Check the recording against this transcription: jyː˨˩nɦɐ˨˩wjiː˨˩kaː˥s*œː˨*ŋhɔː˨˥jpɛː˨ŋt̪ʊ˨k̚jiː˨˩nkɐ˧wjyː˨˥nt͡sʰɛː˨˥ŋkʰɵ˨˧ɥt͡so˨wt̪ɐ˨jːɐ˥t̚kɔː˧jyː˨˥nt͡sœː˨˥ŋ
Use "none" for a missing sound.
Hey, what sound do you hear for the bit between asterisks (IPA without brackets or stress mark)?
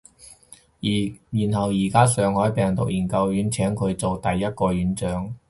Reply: œː˨